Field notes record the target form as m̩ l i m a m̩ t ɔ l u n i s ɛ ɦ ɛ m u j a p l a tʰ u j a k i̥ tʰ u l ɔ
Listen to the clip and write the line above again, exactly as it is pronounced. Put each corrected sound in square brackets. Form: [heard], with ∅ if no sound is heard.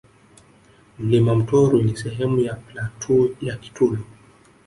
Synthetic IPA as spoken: m̩ l i m a m̩ t ɔ [ɾ] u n i s ɛ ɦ ɛ m u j a p l a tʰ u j a k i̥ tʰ u l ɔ